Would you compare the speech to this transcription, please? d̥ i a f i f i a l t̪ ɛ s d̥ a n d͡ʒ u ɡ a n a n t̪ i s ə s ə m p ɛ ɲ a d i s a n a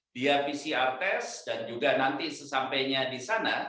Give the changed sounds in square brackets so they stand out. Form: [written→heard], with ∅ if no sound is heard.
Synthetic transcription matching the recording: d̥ i a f i [f→s] i a [l→r] t̪ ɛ s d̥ a n d͡ʒ u ɡ a n a n t̪ i s ə s [ə→a] m p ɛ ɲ a d i s a n a